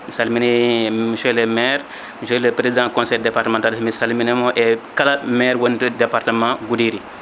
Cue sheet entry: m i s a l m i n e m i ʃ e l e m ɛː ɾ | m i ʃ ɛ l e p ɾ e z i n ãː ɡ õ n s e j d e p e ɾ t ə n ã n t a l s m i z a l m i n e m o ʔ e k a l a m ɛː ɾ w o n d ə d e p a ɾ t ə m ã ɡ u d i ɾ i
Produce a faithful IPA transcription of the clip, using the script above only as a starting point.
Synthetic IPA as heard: m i s a l m i n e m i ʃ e l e m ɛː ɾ | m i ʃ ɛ l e p ɾ e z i d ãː k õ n s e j d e p a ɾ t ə m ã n t a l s m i s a l m i n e m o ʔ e k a l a m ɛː ɾ w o n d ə d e p a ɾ t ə m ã ɡ u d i ɾ i